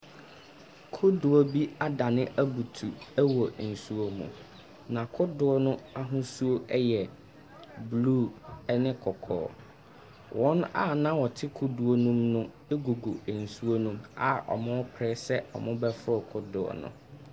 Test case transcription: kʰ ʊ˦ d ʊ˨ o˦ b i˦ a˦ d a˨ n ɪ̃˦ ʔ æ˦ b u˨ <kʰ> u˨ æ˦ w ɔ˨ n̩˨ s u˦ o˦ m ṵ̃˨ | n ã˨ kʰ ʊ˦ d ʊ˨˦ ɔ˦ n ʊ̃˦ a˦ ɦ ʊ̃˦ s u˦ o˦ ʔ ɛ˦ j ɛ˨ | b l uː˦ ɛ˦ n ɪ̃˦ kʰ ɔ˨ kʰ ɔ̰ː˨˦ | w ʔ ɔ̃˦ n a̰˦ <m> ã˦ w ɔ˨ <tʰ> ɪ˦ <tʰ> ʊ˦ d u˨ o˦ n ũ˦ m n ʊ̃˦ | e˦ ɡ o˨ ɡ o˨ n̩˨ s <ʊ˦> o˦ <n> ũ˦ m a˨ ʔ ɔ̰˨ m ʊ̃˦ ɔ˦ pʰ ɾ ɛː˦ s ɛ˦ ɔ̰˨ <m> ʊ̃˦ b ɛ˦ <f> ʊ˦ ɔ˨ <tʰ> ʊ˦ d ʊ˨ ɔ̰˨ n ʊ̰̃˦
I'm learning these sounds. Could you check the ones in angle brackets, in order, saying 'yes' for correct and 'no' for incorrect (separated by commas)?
no, no, yes, no, no, yes, yes, yes, no